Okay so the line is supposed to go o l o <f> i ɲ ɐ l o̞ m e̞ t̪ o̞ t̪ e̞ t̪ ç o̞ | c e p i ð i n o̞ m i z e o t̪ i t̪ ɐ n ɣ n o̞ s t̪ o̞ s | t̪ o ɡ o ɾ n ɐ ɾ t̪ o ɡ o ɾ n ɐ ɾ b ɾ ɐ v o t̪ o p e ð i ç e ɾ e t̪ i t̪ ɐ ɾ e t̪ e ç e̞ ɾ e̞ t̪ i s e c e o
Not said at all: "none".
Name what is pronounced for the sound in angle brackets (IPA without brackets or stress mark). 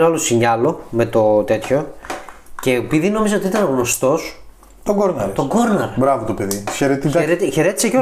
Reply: s